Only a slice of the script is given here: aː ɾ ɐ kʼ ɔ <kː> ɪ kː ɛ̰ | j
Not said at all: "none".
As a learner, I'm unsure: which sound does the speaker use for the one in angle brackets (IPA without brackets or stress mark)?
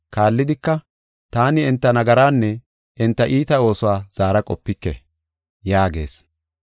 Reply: pː